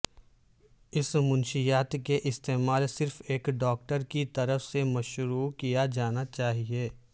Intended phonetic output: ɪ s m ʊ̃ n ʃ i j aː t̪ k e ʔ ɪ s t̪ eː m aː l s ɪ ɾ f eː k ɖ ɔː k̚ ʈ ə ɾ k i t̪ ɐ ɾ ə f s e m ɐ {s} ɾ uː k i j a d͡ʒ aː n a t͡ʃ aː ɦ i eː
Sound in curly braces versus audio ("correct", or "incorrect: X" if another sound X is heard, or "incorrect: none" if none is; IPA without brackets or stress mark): incorrect: ʃ